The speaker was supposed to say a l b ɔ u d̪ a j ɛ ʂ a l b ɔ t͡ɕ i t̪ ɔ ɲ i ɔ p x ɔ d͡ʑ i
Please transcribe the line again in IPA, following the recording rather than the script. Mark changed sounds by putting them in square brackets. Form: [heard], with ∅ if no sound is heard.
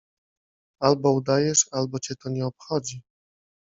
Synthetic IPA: a l b ɔ u d̪ a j ɛ ʂ a l b ɔ t͡ɕ [ɛ] t̪ ɔ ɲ [ɛ] ɔ p x ɔ d͡ʑ i